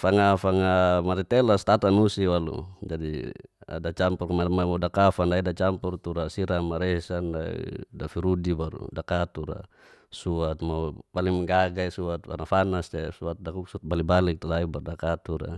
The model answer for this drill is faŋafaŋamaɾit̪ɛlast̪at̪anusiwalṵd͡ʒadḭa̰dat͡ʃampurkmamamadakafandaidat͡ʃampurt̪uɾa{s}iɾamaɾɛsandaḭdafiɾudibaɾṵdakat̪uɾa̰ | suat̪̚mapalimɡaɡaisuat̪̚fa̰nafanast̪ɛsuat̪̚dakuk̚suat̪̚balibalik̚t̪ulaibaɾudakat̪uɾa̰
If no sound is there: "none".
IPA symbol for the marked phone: s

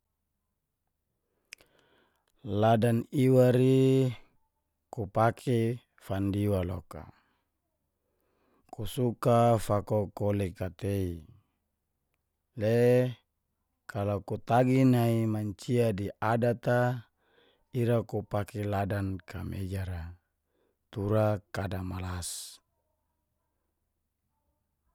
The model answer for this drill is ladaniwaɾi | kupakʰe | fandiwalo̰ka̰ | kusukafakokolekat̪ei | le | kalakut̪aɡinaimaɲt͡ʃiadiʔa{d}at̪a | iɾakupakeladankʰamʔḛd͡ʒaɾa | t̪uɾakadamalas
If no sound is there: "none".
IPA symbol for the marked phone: d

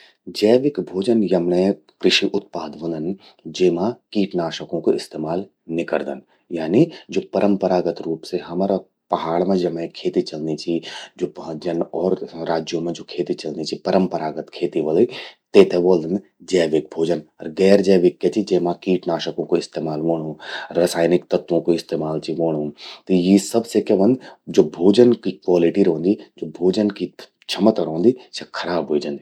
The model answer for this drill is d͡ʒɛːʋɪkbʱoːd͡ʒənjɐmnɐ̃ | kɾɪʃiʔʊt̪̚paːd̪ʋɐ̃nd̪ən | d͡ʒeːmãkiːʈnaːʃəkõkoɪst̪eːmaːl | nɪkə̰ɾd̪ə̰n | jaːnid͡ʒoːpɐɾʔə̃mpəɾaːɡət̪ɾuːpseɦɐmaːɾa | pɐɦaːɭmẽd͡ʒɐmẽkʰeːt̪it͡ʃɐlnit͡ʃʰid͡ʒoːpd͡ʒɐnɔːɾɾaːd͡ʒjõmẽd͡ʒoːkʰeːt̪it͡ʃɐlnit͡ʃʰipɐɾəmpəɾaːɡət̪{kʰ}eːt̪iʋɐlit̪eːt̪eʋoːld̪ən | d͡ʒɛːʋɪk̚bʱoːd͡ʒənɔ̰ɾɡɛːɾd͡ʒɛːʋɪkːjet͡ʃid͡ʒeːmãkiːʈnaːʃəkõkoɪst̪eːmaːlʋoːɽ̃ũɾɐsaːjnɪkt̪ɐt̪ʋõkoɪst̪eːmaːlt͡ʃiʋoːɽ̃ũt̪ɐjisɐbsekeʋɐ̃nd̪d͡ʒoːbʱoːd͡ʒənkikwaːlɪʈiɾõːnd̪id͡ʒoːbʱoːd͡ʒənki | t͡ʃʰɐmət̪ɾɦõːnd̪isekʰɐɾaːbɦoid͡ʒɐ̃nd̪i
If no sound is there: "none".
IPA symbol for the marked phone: kʰ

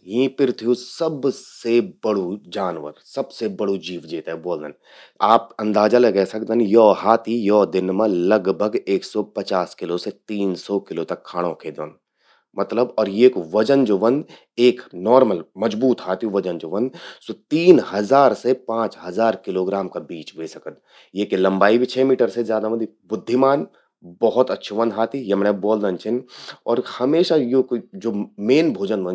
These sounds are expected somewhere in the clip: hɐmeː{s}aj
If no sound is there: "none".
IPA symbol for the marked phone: ʃ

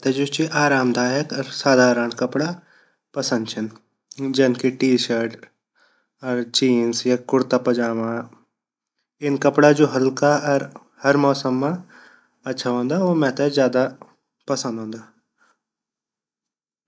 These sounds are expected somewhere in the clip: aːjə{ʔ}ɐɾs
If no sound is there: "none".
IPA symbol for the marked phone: k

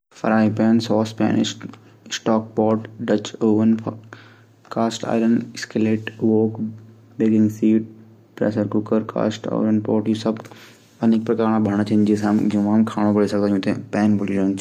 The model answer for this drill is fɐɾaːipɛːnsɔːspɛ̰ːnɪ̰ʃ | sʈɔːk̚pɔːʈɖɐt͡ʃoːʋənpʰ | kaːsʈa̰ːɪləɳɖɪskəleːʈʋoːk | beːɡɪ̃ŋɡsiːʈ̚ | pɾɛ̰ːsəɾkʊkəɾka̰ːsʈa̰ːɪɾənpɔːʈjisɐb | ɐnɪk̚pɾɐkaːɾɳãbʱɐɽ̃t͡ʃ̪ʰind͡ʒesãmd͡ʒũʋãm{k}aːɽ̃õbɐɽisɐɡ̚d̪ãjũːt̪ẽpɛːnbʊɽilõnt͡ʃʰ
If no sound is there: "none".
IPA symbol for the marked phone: kʰ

